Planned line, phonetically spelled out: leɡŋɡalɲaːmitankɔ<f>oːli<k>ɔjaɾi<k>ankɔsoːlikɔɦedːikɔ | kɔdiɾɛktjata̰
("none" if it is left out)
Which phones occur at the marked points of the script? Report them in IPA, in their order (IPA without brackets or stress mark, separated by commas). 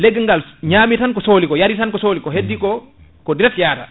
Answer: s, k, t